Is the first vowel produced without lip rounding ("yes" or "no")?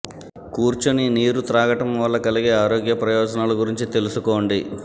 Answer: no